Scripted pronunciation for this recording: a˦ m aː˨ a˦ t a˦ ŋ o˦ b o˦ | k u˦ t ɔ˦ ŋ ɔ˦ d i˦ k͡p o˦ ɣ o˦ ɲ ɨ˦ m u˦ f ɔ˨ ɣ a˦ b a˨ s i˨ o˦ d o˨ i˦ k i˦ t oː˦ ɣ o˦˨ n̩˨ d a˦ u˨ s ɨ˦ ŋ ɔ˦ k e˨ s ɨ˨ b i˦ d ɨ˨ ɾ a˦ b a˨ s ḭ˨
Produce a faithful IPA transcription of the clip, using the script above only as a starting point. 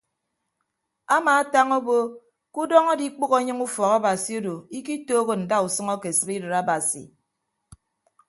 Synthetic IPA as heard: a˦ m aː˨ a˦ t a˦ ŋ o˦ b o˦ | k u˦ d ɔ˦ ŋ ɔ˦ d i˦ k͡p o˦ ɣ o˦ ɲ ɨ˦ ŋ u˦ f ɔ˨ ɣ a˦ b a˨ s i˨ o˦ d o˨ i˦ k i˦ t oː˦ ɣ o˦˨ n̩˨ d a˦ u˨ s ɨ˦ ŋ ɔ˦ k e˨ s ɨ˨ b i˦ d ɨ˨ ɾ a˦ b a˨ s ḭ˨